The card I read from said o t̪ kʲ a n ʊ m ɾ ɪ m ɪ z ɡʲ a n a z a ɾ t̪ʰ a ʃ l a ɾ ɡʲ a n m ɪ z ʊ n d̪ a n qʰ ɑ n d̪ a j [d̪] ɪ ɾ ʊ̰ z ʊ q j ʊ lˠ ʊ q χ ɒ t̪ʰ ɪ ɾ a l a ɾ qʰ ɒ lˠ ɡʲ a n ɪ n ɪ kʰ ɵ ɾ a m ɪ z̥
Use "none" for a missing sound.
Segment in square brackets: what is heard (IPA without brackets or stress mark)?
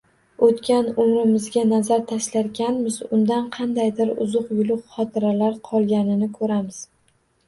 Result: d̪